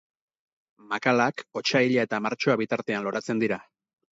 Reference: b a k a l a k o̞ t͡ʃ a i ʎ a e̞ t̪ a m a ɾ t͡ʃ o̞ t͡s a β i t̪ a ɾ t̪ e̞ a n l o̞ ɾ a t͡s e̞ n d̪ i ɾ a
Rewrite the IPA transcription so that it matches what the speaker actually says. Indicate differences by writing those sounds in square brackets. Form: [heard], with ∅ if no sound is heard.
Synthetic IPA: [m] a k a l a k o̞ t͡ʃ a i ʎ a e̞ t̪ a m a ɾ t͡ʃ o̞ [∅] a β i t̪ a ɾ t̪ e̞ a n l o̞ ɾ a t͡s e̞ n d̪ i ɾ a